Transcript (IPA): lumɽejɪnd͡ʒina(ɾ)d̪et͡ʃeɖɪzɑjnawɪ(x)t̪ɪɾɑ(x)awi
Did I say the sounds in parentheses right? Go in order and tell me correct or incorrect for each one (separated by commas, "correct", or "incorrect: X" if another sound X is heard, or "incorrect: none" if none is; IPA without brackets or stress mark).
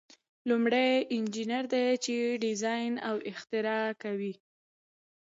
correct, correct, incorrect: k